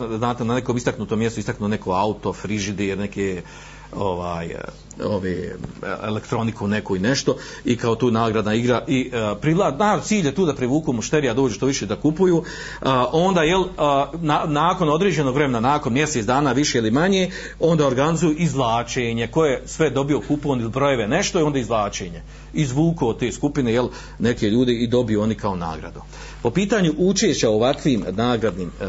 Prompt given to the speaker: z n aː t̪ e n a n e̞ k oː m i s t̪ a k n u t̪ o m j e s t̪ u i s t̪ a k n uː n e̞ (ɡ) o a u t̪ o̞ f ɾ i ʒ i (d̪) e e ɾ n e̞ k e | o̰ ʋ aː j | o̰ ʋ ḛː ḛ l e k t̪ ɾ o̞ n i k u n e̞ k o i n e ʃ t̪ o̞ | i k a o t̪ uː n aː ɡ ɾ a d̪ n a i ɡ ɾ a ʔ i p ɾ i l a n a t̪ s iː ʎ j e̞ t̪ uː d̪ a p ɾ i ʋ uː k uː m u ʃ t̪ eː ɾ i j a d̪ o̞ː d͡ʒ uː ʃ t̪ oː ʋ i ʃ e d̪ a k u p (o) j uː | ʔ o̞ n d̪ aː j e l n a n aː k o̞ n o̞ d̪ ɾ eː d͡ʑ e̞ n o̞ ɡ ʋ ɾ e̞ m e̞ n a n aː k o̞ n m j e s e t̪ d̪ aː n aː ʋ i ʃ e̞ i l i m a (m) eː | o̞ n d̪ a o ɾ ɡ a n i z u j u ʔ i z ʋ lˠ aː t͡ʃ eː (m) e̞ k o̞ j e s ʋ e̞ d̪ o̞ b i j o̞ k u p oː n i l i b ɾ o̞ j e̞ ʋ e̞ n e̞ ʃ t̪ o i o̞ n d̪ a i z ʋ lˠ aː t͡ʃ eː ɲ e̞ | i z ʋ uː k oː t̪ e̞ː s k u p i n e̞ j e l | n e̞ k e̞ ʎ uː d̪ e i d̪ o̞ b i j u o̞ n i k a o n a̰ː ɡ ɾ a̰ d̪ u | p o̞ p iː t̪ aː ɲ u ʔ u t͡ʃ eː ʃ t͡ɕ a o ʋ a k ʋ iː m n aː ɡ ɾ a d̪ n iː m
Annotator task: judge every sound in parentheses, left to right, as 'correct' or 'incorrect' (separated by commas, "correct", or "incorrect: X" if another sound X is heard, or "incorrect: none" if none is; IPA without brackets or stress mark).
incorrect: k, correct, incorrect: u, incorrect: ɲ, incorrect: ɲ